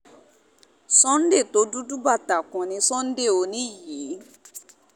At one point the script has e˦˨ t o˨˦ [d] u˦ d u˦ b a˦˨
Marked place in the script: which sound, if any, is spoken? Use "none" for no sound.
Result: d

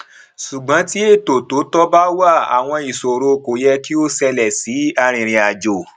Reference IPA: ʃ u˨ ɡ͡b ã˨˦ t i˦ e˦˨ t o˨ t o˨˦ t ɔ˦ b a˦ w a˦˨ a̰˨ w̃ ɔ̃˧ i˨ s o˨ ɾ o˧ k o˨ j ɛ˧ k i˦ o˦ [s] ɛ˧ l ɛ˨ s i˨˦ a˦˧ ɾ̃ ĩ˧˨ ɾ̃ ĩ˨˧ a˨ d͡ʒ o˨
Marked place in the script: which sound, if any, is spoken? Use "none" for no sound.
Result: s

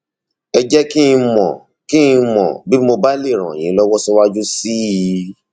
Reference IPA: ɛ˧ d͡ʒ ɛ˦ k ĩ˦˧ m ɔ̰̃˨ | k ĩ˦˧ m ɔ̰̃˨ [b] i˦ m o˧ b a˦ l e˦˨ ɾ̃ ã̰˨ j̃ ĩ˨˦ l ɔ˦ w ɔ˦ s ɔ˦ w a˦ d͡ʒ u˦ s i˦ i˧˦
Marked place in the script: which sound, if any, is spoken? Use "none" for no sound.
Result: b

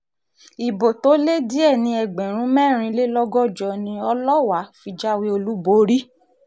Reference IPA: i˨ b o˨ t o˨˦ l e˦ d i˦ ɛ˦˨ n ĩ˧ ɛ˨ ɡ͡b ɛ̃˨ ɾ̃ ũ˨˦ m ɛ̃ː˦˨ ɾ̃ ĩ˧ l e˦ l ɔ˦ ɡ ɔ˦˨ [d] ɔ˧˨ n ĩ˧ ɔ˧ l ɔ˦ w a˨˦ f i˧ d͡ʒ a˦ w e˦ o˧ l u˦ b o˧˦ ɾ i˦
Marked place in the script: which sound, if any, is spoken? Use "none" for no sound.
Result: d͡ʒ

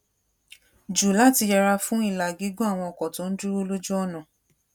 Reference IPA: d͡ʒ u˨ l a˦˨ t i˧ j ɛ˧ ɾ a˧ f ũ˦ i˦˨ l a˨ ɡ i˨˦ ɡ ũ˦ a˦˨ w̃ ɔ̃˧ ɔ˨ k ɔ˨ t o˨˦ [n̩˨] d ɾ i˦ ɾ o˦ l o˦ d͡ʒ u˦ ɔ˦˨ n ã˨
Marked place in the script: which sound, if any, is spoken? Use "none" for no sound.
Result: n̩˦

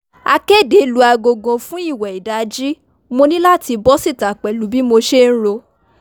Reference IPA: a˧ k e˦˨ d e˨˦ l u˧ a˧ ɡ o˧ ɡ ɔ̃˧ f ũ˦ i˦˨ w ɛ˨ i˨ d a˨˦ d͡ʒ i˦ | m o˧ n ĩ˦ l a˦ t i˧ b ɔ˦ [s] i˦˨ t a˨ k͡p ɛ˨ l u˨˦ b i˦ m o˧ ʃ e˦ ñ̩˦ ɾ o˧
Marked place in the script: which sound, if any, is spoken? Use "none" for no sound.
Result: s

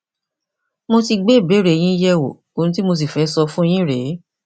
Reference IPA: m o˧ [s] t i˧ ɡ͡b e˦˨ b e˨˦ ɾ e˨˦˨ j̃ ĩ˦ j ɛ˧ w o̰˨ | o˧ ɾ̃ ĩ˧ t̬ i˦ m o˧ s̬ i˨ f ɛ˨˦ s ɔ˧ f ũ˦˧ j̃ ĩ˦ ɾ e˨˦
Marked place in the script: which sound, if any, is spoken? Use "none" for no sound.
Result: none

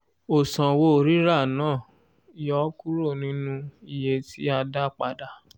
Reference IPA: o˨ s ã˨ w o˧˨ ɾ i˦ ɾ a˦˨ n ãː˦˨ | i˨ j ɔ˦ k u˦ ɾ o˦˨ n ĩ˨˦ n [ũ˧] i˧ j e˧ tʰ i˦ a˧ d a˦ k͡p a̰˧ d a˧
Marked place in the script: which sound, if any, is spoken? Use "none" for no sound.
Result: ũ˧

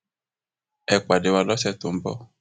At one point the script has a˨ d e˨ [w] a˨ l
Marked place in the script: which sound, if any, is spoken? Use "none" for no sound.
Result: w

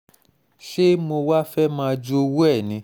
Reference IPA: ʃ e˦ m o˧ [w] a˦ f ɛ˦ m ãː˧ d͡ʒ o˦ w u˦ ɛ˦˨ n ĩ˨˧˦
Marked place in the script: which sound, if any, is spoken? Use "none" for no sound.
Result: w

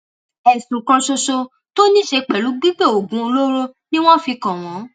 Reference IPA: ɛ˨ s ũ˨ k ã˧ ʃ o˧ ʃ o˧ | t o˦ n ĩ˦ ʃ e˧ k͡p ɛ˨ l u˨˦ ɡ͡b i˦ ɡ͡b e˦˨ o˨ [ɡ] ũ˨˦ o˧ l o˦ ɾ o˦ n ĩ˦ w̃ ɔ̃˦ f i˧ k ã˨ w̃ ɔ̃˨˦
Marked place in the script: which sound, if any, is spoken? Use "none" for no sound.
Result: ɡ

